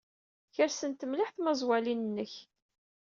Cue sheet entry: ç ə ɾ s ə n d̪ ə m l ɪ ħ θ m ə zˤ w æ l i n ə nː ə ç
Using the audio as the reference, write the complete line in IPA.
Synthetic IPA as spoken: ç ə ɾ s ə n t̪ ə m l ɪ ħ θ m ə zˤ w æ l i n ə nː ə ç